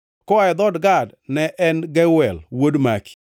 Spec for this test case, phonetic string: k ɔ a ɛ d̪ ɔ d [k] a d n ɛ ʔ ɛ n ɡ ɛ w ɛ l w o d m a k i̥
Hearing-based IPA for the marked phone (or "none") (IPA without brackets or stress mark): ɡ